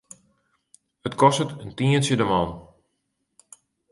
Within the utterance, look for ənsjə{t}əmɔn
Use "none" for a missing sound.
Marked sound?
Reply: d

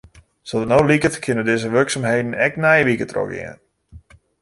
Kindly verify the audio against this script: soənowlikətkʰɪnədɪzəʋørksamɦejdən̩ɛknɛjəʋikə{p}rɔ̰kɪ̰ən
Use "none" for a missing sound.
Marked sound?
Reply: t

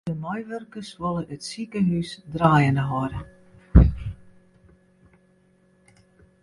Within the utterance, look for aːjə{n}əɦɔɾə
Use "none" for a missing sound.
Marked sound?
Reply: n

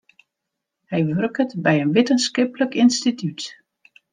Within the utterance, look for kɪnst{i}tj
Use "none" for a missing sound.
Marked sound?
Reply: i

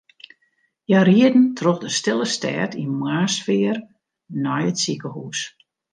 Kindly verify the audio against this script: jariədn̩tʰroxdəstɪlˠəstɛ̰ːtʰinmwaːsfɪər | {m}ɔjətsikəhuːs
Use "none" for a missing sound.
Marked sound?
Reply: n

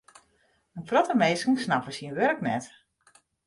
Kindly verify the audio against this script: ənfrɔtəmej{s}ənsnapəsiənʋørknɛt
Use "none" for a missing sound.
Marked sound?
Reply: s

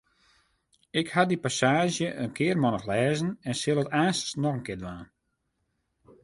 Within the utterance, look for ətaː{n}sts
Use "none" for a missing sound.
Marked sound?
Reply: n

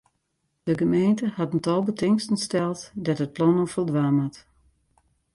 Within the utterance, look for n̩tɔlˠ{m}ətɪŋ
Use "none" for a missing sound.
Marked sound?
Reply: b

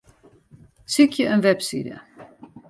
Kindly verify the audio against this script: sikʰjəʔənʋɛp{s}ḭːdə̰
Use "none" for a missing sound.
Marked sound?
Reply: s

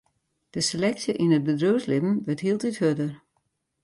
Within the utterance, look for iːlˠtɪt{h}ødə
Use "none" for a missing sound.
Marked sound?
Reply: h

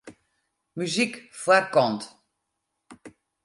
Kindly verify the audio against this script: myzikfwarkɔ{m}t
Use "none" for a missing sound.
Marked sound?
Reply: n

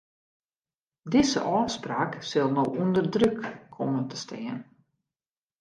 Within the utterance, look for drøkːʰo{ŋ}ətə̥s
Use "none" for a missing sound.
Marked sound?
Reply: m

